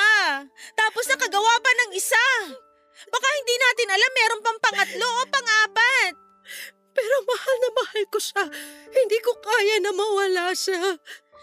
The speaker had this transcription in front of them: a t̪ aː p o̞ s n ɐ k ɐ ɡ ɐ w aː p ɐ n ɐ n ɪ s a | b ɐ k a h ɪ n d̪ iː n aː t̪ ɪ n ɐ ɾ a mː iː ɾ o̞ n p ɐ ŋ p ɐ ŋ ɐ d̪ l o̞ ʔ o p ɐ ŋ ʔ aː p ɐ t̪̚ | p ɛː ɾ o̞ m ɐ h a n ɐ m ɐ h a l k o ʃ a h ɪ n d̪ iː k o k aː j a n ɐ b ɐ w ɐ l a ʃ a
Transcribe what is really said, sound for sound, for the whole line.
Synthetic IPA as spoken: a t̪ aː p o̞ s n ɐ k ɐ ɡ ɐ w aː p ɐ n ɐ ŋ ɪ s a | b ɐ k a h ɪ n d̪ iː n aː t̪ ɪ n ɐ l a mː ɛː ɾ o̞ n p ɐ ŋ p ɐ ŋ ɐ t̪ l o̞ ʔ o p ɐ ŋ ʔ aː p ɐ t̪̚ | p ɛː ɾ o̞ m ɐ h a n ɐ m ɐ h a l k o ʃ a h ɪ n d̪ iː k o k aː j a n ɐ m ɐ w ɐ l a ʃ a